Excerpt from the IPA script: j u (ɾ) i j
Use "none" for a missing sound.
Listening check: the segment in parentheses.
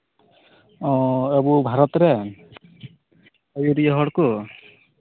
ɾ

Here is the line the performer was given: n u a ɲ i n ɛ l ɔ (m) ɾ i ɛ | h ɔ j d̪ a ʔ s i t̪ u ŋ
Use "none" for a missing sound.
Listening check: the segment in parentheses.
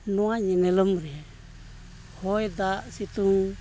m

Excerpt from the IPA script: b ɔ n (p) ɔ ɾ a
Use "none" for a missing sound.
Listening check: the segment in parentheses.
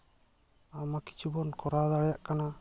k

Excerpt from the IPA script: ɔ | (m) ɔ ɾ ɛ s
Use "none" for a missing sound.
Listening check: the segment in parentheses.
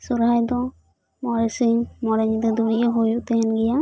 m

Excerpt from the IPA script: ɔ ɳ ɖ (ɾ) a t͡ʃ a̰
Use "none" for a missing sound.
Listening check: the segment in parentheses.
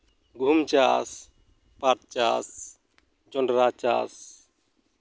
ɾ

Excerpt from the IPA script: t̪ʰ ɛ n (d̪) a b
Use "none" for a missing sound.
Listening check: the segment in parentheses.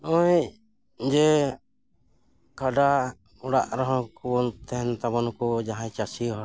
t̪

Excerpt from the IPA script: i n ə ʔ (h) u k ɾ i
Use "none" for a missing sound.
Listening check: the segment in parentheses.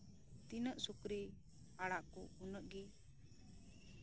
s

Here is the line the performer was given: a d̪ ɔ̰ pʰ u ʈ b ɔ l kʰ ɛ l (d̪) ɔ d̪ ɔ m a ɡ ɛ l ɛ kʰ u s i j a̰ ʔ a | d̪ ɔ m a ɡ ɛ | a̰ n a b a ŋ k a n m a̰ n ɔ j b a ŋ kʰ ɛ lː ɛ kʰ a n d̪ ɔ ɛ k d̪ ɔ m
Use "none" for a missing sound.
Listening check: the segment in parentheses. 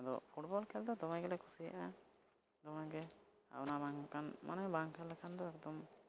d̪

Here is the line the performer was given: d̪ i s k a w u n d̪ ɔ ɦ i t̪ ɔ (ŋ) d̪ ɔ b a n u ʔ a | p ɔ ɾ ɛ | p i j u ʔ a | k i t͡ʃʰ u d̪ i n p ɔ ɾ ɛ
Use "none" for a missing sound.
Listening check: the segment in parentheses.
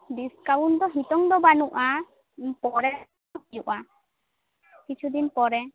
ŋ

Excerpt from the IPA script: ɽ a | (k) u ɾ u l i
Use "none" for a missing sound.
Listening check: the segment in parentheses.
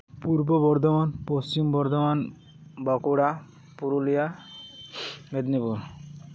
p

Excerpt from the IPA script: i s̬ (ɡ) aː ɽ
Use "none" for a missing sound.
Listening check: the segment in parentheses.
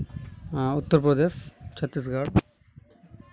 ɡ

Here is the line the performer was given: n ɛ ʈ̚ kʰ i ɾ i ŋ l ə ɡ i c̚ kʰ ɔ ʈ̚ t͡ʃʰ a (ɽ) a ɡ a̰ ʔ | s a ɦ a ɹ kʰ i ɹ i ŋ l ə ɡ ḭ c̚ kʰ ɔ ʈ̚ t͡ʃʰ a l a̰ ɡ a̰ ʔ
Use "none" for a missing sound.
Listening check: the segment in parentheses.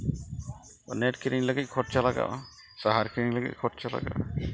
l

